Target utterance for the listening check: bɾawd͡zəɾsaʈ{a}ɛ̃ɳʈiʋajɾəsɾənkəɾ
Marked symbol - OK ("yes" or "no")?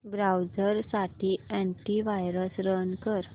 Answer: no